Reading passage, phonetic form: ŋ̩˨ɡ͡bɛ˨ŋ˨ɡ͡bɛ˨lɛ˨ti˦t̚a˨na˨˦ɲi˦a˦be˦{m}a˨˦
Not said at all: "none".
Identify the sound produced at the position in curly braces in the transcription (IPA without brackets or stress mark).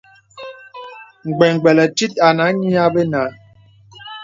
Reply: n